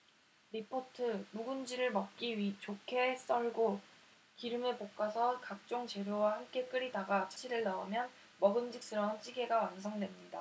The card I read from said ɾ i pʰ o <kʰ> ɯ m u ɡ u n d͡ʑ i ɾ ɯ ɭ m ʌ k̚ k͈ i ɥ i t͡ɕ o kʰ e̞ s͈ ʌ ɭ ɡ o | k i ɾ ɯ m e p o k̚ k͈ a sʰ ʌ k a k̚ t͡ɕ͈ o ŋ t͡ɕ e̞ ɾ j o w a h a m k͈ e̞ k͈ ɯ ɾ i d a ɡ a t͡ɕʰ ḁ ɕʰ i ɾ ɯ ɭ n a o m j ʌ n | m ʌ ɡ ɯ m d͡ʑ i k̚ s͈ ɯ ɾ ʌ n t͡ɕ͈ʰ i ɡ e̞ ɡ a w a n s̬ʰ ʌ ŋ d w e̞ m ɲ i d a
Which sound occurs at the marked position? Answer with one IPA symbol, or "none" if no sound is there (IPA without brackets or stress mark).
tʰ